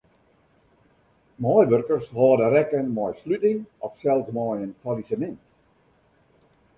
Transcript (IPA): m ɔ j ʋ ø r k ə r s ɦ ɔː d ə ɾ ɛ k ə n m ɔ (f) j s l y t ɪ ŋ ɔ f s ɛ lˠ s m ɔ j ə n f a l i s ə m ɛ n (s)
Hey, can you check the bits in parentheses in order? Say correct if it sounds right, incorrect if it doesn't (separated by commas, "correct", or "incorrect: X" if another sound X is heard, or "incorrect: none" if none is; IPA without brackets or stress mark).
incorrect: none, incorrect: t